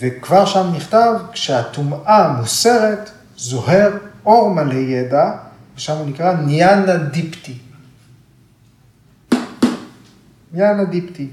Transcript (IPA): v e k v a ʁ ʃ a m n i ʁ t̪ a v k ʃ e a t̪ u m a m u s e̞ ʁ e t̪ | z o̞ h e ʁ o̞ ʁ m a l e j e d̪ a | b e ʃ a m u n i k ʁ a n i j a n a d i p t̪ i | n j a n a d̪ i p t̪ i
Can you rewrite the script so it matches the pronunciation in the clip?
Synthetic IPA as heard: v e k v a ʁ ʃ a m n i χ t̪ a v k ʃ e a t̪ u m a m u s e̞ ʁ e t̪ | z o̞ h e ʁ o̞ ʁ m a l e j e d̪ a | v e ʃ a m u n i k ʁ a n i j a n a d i p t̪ i | n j a n a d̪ i p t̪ i